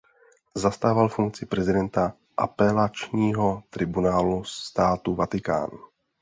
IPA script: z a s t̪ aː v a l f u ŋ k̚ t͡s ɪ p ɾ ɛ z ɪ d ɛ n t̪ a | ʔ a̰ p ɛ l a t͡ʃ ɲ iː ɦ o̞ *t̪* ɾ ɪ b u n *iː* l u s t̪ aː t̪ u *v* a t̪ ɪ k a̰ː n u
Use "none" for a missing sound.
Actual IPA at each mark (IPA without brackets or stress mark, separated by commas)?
t̪, aː, v